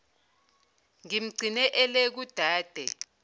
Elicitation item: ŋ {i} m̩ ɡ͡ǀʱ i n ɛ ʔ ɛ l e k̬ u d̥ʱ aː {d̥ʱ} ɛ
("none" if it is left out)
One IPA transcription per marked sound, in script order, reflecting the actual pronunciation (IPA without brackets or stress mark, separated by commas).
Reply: i, d̥ʱ